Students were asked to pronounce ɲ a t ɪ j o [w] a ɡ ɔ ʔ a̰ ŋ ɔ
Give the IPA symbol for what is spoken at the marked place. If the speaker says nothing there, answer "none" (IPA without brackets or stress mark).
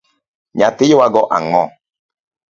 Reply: w